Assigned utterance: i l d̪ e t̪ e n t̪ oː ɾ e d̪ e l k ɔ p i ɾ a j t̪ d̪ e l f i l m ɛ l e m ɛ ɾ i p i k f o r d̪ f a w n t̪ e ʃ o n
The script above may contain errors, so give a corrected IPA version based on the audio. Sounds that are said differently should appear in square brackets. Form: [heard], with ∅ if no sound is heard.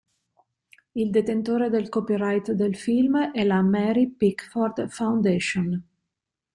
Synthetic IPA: i l d̪ e t̪ e n t̪ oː ɾ e d̪ e l k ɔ p i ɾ a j t̪ d̪ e l f i l m ɛ l [a] m ɛ ɾ i p i k f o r d̪ f a w n [d̪] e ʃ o n